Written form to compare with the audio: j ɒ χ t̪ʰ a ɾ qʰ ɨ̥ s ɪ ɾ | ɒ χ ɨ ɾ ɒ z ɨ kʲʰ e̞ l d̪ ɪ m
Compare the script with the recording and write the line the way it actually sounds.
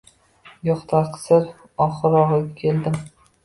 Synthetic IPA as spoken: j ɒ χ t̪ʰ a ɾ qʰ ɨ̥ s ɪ ɾ | ɒ χ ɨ ɾ ɒ ʁ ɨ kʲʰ e̞ l d̪ ɪ m